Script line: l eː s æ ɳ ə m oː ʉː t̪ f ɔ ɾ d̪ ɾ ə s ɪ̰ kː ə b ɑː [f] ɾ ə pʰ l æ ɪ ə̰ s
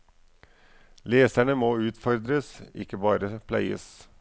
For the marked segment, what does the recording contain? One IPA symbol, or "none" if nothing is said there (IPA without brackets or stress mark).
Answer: none